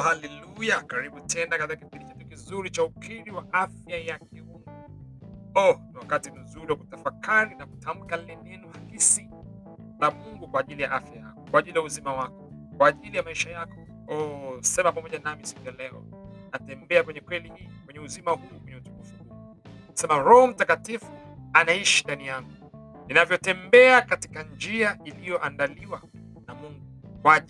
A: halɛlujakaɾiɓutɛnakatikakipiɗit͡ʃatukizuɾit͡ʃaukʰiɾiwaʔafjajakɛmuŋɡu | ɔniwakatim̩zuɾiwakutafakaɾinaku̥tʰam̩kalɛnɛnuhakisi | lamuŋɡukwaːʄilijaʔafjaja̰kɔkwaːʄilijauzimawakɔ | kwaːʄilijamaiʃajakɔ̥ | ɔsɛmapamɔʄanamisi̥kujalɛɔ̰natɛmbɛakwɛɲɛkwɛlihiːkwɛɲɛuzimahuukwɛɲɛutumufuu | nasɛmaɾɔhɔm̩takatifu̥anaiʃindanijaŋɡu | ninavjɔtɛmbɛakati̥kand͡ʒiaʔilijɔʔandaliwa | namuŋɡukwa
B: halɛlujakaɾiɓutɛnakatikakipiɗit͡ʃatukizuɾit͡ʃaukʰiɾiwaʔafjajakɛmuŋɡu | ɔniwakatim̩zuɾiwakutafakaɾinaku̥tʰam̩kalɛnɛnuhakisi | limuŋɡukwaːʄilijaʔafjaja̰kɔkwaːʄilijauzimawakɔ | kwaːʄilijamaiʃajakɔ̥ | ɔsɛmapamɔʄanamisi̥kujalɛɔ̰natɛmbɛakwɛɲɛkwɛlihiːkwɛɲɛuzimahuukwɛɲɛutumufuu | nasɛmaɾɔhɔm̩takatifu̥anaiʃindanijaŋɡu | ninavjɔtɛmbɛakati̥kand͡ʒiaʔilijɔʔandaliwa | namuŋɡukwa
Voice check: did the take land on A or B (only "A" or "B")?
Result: A